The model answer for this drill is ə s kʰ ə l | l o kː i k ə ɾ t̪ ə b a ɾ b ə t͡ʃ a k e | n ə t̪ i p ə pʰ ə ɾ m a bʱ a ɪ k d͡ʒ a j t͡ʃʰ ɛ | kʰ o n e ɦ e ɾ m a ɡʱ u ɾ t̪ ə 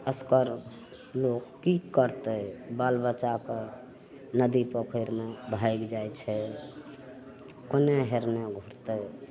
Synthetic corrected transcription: ə s k ə ɾ | l o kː i k ə ɾ t̪ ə b a l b ə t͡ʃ a k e | n ə d̪ i p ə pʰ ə ɾ m e bʱ a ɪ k d͡ʒ a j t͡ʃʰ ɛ | k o n e ɦ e ɾ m e ɡʱ u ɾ t̪ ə